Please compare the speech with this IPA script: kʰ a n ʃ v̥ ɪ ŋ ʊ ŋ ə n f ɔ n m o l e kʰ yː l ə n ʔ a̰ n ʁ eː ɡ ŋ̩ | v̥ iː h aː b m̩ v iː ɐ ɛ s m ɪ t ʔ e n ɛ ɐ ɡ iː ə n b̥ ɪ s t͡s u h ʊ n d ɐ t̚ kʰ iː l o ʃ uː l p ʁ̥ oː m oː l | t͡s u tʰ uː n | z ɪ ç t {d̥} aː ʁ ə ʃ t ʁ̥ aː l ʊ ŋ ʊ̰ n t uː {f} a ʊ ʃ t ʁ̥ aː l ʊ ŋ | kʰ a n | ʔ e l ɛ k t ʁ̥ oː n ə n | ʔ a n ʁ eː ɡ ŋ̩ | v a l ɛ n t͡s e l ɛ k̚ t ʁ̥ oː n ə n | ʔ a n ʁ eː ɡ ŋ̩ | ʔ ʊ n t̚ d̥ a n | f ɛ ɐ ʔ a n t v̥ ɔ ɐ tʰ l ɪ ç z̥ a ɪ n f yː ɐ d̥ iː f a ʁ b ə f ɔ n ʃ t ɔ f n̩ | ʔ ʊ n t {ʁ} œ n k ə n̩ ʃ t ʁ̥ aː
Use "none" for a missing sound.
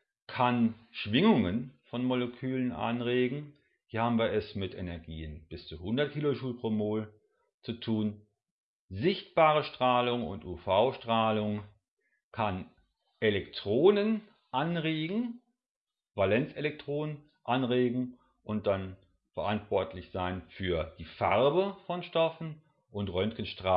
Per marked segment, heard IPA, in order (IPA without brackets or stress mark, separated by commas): b̥, f, ʁ